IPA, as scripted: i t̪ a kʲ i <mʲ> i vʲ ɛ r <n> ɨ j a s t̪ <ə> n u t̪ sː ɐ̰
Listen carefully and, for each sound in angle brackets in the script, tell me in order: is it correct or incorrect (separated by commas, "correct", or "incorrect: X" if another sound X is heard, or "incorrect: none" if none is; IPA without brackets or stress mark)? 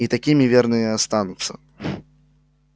correct, correct, incorrect: a